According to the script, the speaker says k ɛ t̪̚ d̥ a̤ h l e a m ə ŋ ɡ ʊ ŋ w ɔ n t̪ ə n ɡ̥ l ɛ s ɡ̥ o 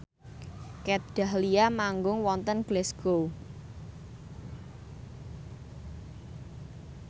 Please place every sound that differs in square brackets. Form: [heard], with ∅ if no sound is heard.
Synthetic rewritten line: k ɛ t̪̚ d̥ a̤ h l [i] a m [a] ŋ ɡ ʊ ŋ w ɔ n t̪ ə n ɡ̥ l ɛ s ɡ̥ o